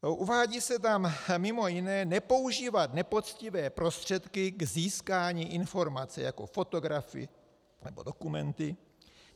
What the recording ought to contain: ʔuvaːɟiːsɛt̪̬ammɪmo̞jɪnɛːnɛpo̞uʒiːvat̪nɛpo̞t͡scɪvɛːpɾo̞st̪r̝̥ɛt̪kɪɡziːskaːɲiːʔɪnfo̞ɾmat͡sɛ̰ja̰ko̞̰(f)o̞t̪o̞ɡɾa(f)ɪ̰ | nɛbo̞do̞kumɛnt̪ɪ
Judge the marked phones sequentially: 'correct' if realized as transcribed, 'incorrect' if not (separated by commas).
correct, correct